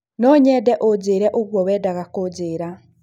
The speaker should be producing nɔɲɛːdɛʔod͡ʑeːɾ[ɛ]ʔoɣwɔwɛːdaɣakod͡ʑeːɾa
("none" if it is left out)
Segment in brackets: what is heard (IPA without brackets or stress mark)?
ɛ